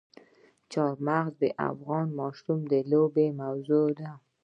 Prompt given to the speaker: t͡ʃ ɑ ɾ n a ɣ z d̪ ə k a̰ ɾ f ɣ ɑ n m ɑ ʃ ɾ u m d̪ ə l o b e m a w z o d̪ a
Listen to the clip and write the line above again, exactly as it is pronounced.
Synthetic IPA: t͡ʃ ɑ ɾ m a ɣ z d̪ ə ʔ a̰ f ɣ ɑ n m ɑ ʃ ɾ u m d̪ ə l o b e m a w z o d̪ a